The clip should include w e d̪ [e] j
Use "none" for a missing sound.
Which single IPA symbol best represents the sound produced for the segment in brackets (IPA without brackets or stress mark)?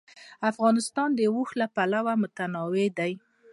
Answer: a